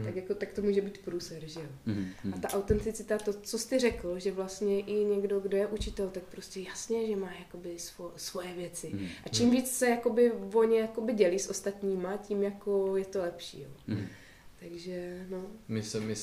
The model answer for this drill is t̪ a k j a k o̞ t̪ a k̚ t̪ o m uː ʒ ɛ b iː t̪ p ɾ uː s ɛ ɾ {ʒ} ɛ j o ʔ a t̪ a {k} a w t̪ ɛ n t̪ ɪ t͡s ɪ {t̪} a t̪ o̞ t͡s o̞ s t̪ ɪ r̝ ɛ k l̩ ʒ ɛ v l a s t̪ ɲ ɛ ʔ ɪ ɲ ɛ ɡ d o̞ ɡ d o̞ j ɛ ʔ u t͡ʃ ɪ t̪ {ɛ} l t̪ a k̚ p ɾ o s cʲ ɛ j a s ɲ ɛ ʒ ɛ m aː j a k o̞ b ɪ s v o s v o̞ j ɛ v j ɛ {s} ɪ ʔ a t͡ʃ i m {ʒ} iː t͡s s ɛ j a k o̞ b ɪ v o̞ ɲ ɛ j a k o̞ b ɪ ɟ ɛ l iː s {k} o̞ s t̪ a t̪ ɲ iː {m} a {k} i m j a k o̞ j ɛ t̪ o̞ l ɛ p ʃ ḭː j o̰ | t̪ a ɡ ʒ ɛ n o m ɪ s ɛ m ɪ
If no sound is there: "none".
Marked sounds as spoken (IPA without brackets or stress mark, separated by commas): ʒ, ʔ, t̪, ɛ, t͡s, v, ʔ, m, c